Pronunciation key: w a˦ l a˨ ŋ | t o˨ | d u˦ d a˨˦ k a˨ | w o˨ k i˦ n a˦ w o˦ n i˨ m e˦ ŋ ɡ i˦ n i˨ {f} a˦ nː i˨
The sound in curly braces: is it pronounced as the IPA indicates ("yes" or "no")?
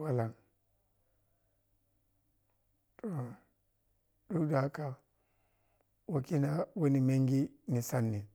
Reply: no